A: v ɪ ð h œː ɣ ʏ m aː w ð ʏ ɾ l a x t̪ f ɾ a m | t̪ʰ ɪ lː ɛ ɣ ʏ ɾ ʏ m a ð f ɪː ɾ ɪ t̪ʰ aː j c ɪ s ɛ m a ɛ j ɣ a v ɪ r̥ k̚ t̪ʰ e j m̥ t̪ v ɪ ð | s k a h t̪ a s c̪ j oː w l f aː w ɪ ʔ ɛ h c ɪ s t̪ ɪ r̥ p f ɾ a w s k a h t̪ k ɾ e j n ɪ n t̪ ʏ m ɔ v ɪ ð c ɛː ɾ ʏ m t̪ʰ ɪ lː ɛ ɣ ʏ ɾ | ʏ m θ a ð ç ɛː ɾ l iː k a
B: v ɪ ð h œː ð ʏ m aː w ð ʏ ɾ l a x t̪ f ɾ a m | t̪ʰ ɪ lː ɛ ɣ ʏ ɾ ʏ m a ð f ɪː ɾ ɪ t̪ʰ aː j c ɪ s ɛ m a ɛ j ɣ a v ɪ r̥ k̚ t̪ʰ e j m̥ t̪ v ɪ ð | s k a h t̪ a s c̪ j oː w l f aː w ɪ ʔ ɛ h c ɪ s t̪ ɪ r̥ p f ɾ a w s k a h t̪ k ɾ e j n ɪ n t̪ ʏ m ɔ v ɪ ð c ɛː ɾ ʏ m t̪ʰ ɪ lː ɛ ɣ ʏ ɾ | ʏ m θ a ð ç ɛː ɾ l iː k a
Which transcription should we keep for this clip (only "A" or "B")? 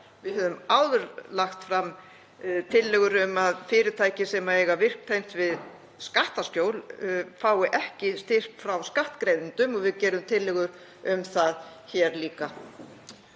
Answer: B